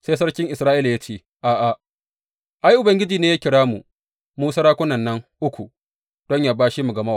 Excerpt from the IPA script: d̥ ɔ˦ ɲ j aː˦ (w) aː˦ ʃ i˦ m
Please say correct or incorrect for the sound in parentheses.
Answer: incorrect: b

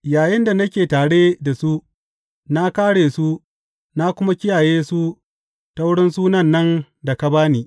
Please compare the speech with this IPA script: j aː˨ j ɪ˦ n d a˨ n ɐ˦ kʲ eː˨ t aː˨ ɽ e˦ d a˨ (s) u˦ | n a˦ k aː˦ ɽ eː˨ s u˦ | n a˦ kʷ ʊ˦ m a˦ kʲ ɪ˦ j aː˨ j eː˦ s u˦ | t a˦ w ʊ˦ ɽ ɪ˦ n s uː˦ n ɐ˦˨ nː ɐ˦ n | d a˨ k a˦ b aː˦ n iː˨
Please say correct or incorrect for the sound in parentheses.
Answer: correct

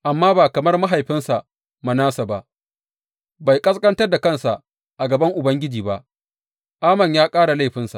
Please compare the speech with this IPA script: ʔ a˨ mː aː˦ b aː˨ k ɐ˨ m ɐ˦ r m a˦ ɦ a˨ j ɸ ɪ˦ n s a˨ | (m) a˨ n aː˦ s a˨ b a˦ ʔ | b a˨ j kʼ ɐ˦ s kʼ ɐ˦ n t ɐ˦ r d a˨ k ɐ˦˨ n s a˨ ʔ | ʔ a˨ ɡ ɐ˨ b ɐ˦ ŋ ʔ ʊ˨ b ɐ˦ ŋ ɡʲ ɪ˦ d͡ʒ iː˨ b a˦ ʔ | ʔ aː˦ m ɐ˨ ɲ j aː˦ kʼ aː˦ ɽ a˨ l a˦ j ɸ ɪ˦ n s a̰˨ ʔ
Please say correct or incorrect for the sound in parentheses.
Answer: correct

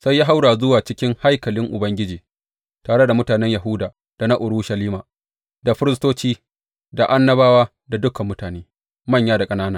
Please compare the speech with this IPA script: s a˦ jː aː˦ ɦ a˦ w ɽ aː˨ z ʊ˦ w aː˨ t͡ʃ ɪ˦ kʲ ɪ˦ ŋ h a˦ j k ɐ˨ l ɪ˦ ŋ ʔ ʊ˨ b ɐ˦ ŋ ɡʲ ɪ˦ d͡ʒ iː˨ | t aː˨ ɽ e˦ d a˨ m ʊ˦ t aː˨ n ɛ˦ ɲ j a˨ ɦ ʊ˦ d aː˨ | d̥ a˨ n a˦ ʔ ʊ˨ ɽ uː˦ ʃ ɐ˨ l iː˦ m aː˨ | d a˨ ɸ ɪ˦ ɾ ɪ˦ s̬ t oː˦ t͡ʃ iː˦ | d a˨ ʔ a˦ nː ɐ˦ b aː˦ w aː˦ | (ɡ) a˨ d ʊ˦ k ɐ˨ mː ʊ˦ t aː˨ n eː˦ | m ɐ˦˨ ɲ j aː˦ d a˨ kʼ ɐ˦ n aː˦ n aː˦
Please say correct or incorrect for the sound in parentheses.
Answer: incorrect: d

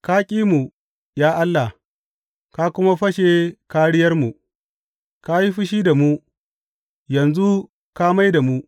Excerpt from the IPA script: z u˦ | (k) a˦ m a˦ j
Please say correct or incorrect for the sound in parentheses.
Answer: correct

